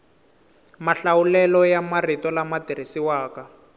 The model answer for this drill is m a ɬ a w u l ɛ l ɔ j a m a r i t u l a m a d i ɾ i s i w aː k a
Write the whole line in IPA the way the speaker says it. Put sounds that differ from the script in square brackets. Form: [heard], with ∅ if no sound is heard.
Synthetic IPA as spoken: m a ɬ a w u l ɛ l ɔ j a m a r i t [ɔ] l a m a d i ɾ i s i w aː k a